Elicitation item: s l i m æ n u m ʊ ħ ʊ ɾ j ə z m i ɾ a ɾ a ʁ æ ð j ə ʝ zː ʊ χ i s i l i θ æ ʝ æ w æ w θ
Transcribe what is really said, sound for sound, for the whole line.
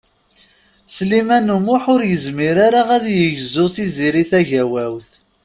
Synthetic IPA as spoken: s l i m æ n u m ʊ ħ ʊ ɾ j ə z m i ɾ a ɾ a ʁ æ ð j ə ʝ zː ʊ θ i z i ɾ i θ æ ʝ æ w æ w θ